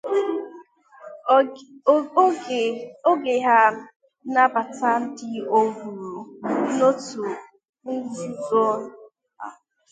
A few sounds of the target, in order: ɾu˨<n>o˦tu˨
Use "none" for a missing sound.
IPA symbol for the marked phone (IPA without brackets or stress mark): n